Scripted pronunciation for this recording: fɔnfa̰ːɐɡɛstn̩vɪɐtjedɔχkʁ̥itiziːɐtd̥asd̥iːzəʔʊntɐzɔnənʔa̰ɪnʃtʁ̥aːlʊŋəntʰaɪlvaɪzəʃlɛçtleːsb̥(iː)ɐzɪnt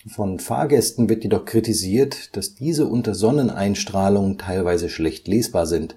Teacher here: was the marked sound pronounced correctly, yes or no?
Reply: no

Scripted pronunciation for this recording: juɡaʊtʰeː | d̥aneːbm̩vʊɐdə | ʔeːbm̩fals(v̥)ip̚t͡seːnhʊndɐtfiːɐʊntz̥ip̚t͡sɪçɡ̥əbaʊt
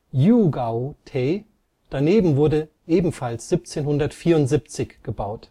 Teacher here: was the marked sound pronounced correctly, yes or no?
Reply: no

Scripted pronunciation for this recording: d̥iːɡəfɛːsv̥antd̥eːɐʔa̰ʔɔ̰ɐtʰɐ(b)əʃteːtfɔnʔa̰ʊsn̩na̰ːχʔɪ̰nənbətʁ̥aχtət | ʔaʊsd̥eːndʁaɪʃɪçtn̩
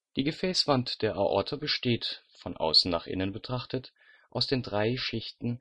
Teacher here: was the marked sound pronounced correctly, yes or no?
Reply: yes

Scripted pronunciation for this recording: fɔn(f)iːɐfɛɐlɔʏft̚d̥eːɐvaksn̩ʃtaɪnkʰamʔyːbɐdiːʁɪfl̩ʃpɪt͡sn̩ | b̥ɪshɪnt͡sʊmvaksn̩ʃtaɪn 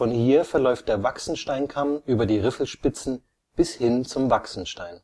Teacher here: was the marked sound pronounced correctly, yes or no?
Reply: no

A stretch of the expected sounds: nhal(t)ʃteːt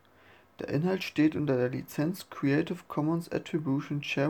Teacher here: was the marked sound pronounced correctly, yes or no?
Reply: yes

